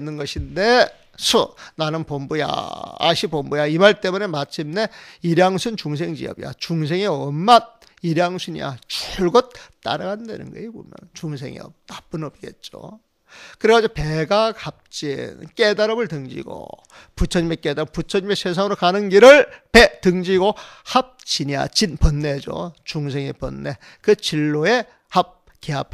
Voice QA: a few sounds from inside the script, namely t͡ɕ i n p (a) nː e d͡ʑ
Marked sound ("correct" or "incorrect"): incorrect